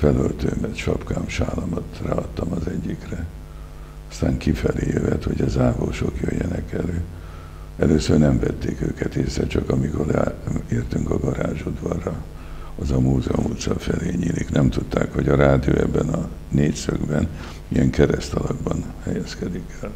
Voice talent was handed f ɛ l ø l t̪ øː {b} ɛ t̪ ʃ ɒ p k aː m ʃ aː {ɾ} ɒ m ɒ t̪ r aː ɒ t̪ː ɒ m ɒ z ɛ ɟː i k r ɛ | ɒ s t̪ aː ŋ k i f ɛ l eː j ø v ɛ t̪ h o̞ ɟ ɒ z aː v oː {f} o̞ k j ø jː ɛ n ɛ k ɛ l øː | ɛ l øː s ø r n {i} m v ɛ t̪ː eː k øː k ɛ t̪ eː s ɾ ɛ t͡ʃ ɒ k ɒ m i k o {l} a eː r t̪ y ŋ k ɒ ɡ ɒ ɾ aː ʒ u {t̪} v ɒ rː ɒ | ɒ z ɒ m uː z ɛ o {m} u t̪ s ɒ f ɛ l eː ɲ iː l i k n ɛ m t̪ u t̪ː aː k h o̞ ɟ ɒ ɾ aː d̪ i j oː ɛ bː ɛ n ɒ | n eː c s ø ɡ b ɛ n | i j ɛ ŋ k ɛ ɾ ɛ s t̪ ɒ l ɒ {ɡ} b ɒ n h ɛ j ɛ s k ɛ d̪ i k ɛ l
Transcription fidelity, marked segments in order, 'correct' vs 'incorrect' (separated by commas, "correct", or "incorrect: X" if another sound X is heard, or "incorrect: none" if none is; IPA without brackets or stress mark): incorrect: m, incorrect: l, incorrect: ʃ, incorrect: ɛ, incorrect: r, incorrect: d̪, correct, correct